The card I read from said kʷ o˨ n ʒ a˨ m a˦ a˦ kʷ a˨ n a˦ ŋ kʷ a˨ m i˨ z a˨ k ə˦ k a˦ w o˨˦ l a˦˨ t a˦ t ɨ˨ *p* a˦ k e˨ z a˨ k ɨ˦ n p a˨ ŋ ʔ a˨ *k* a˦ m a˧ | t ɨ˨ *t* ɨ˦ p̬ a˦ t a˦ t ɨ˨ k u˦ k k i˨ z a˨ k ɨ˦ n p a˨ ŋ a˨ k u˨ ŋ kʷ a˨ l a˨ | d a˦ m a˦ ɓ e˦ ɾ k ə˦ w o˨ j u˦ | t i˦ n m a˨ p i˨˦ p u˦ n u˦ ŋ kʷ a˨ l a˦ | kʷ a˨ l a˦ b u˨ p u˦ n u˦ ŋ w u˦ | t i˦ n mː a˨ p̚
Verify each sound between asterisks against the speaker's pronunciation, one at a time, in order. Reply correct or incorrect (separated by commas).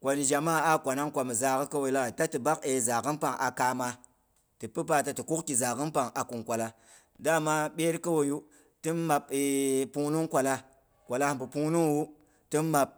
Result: incorrect, correct, incorrect